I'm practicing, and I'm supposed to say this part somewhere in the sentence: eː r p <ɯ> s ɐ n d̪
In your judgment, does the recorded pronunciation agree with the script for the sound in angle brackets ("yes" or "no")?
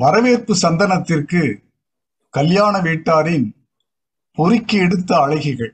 yes